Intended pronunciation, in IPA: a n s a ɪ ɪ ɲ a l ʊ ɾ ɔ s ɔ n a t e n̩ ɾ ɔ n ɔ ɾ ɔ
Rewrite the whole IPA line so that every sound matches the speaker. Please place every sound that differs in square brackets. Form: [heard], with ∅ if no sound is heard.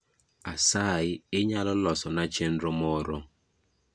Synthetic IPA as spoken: a [∅] s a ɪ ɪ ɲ a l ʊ [l] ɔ s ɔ n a [t͡ʃ] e n̩ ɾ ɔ [m] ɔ ɾ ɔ